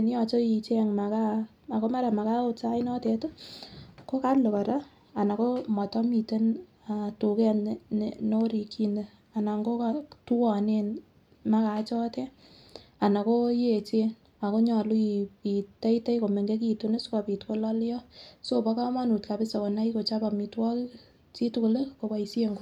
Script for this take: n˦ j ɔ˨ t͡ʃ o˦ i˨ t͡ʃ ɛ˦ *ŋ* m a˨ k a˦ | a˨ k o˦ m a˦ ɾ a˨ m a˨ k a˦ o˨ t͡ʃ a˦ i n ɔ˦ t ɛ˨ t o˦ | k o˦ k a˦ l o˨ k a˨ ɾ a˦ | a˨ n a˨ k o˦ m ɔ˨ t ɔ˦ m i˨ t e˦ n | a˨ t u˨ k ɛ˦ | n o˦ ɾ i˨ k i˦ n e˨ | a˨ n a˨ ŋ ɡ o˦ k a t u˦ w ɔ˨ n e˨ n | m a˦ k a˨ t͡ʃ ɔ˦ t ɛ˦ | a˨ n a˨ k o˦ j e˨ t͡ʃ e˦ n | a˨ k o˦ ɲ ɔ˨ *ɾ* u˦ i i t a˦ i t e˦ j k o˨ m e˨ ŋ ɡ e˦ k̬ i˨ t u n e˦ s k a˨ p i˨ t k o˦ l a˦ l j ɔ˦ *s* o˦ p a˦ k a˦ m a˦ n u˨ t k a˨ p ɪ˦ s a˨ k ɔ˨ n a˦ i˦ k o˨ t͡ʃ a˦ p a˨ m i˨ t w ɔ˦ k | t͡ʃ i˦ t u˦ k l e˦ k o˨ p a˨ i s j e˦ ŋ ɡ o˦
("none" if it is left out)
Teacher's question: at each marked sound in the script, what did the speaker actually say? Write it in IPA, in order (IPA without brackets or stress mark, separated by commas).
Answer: ŋ, l, s